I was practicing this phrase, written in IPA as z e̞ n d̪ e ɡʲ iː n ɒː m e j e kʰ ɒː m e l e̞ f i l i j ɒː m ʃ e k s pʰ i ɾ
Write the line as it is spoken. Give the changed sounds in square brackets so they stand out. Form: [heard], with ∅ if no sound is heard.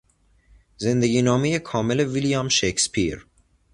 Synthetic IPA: z e̞ n d̪ e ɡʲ iː n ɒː m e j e kʰ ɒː m e l e̞ [v] i l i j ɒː m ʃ e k s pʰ i ɾ